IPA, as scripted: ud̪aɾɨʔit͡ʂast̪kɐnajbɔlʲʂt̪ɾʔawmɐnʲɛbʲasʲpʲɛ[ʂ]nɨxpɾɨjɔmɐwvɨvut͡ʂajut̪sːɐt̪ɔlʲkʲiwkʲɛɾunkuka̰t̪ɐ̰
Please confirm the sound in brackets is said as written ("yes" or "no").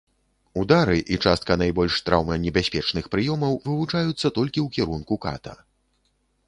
no